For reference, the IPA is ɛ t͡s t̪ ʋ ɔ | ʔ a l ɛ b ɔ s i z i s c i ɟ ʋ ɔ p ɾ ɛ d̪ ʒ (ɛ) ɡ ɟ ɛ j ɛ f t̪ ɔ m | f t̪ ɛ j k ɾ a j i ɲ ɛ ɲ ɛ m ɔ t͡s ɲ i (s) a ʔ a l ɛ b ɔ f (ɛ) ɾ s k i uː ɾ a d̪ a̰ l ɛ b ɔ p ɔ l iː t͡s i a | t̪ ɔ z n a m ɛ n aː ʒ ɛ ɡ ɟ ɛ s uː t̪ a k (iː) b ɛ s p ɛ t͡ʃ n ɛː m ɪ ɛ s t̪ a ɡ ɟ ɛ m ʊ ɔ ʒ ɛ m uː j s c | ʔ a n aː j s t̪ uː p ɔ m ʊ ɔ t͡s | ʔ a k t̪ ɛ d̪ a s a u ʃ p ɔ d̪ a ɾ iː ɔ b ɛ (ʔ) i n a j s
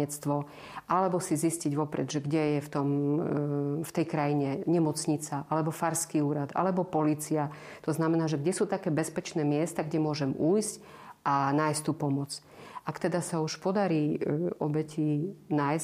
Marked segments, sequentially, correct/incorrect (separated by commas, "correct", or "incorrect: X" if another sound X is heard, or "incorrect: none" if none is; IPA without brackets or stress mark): correct, incorrect: t͡s, incorrect: a, incorrect: ɛː, incorrect: c